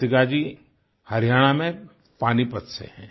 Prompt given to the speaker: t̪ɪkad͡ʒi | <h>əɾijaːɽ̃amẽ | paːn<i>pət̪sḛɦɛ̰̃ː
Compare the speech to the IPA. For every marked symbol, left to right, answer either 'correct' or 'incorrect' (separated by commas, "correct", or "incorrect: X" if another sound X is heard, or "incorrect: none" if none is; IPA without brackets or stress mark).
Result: correct, correct